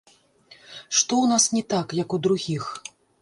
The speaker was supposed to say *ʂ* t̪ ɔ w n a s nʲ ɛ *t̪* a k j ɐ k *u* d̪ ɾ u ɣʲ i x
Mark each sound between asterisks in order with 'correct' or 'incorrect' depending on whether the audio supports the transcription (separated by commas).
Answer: correct, correct, correct